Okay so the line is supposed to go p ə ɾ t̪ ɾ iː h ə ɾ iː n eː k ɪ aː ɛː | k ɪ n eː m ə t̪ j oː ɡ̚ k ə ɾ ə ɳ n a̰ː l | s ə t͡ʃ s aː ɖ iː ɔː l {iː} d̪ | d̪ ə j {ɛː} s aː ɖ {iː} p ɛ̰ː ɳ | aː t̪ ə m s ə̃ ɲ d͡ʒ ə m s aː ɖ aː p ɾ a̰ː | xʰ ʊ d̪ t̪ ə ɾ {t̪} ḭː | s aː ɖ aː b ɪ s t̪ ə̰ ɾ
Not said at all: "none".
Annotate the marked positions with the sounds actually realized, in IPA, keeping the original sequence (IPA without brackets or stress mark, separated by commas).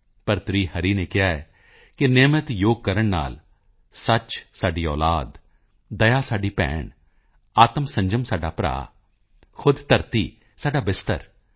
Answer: aː, aː, iː, t̪